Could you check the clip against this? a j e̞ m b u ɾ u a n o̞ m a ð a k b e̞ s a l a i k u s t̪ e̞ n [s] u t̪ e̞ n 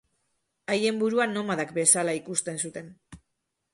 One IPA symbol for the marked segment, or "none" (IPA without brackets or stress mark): s